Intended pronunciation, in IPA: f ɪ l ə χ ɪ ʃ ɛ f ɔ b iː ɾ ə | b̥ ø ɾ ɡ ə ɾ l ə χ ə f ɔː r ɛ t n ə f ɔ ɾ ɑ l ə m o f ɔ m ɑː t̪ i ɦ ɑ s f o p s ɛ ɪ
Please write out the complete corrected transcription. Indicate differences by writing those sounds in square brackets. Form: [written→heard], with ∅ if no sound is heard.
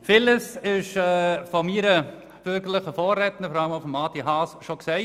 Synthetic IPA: f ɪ l ə [χ→s] ɪ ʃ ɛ f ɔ [b→m] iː ɾ ə | b̥ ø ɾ ɡ ə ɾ l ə χ ə f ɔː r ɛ t n ə f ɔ ɾ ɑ l ə m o f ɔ m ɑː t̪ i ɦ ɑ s [f→ʃ] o [p→k] s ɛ ɪ